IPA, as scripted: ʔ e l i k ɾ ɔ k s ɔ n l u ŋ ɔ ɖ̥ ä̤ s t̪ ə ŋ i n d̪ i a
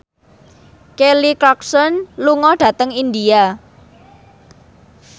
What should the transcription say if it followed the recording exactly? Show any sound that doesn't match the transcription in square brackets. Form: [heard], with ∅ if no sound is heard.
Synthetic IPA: [k] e l i k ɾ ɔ k s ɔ n l u ŋ ɔ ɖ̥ ä̤ [∅] t̪ ə ŋ i n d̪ i a